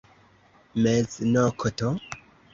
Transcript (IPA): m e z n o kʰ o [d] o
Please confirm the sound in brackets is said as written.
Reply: no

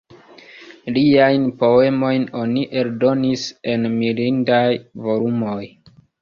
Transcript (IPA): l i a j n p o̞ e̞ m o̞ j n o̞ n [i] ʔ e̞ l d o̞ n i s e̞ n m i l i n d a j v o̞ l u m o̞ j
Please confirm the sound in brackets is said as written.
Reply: yes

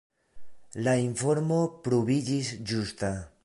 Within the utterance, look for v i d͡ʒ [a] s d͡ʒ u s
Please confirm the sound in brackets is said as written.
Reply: no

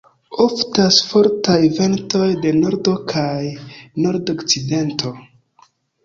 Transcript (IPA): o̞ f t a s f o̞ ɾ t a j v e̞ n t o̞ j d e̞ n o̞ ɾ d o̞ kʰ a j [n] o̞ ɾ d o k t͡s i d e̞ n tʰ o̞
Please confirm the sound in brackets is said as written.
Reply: yes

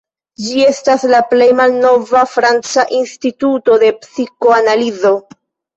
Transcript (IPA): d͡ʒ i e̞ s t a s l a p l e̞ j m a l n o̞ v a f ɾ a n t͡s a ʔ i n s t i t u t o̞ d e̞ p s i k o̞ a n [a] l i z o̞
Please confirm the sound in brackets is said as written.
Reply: yes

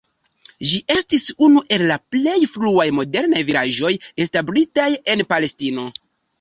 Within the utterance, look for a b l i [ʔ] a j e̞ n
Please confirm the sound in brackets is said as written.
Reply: no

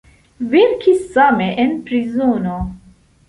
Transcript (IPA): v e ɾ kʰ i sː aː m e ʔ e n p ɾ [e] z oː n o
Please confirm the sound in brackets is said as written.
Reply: no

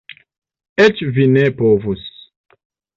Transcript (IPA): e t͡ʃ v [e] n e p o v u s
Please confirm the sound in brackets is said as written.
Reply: no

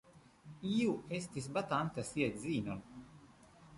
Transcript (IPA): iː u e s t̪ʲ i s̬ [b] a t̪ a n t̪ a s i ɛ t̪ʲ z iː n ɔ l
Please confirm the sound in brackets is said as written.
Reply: yes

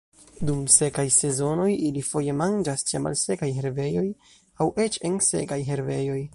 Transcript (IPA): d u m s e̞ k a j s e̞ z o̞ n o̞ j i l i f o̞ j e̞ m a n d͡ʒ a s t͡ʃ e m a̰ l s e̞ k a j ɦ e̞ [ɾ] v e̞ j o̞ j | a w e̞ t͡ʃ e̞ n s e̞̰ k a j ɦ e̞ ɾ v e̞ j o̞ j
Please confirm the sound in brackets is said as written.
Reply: yes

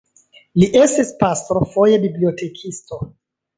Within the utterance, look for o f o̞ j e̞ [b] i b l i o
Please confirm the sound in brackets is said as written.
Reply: yes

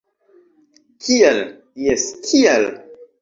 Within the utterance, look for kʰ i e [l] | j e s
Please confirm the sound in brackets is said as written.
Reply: yes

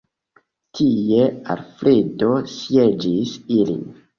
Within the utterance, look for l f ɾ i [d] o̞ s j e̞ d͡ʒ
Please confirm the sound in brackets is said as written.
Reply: yes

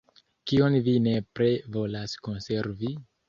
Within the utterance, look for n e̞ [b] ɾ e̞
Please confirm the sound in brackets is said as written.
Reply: no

